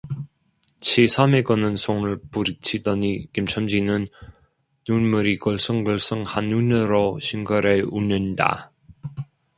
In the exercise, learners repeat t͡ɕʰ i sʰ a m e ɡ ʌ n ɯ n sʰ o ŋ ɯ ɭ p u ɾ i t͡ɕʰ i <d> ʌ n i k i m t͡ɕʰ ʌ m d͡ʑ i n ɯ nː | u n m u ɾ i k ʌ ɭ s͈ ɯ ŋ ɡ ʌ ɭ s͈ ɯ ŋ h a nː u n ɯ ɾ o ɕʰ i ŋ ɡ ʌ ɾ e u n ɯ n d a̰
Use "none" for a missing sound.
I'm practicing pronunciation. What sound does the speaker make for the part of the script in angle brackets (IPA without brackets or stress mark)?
d